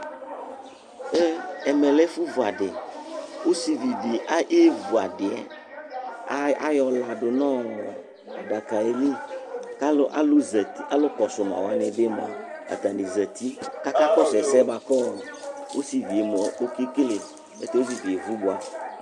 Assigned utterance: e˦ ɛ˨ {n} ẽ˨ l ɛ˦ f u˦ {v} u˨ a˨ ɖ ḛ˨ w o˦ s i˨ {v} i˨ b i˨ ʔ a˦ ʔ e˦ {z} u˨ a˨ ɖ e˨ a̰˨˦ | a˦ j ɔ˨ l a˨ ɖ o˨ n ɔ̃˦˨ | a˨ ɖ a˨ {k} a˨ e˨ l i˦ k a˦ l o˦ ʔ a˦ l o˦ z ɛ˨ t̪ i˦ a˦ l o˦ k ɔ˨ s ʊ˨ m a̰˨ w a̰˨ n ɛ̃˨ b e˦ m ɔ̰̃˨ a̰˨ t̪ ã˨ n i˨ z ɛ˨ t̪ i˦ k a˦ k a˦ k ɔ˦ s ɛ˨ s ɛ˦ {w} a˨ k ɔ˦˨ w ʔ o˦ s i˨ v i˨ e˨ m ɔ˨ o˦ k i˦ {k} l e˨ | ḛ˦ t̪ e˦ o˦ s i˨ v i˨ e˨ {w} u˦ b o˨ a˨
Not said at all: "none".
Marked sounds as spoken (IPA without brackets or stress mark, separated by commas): m, v, v, v, k, b, k, v